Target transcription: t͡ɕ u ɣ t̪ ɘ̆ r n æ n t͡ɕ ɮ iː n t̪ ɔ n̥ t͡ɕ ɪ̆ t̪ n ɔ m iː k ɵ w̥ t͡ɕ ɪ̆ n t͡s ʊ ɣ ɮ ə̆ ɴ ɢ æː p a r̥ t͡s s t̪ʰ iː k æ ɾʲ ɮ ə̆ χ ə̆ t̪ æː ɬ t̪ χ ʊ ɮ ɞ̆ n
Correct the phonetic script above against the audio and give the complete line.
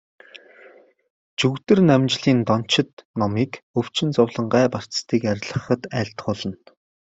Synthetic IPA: t͡ɕ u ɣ t̪ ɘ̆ r n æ m t͡ɕ ɮ iː n t̪ ɔ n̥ t͡ɕ ɪ̆ t̪ n ɔ m iː k ɵ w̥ t͡ɕ ɪ̆ n t͡s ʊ w ɮ ə̆ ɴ ɢ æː p a r̥ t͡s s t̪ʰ iː k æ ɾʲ ɮ ə̆ χ ə̆ t̪ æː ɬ t̪ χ ʊ ɮ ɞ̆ n